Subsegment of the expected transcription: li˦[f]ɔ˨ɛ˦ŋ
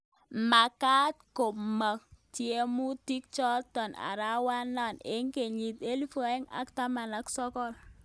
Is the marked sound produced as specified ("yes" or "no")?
yes